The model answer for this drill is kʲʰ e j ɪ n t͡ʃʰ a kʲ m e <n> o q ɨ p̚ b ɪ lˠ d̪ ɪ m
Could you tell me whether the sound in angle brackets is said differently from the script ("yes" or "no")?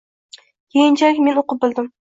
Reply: no